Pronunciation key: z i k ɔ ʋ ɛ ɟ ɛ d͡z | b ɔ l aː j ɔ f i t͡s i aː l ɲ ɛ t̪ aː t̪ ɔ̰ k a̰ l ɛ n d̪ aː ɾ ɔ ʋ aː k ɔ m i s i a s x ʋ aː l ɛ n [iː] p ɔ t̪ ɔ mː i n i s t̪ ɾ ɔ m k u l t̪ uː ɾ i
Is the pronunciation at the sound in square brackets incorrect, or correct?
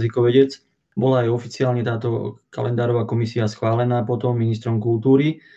incorrect